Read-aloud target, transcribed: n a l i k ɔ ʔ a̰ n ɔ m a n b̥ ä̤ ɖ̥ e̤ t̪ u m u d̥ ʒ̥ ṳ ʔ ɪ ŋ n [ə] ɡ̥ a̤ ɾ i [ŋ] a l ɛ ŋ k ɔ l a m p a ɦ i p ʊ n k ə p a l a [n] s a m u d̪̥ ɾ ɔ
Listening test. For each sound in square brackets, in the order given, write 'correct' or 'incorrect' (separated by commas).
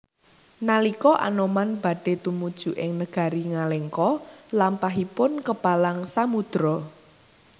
correct, correct, incorrect